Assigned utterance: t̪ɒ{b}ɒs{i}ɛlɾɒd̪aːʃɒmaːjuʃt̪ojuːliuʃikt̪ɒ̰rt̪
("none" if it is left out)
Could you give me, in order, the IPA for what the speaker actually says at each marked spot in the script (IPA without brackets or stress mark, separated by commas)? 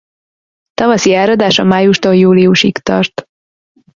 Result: v, i